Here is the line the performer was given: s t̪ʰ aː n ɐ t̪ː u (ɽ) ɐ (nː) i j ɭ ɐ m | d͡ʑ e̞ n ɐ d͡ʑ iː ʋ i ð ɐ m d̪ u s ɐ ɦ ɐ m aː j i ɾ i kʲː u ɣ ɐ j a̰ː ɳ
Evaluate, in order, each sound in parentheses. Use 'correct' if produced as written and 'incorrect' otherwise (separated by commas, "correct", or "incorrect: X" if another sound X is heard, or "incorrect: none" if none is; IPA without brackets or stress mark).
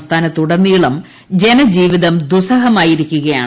correct, correct